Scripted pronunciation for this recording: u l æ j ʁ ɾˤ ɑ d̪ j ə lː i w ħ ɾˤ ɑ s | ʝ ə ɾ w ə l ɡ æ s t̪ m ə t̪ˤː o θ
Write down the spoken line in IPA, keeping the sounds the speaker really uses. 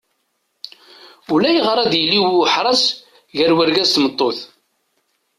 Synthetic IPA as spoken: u l æ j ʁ ɾˤ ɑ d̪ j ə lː i w ħ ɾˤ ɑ s | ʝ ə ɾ w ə ɾ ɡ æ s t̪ m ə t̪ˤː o θ